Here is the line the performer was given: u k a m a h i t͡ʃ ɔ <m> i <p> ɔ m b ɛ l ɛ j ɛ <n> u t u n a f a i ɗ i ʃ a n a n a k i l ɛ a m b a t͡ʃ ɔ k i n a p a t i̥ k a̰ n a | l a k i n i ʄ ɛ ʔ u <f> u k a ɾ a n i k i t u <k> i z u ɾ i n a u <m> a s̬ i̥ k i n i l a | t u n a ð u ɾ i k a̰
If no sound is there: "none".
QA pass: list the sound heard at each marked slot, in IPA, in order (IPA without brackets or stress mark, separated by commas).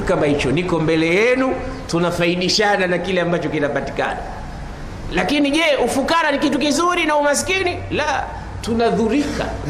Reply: n, k, n, f, k, m